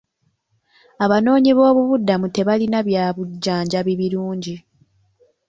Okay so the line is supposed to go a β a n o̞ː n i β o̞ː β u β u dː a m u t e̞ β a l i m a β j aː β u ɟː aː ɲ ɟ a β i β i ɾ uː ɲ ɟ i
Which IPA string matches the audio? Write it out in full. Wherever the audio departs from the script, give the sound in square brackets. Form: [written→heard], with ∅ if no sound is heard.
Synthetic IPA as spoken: a β a n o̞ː [n→ɲ] i β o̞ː β u β u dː a m u t e̞ β a l i [m→n] a β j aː β u ɟː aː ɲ ɟ a β i β i ɾ uː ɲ ɟ i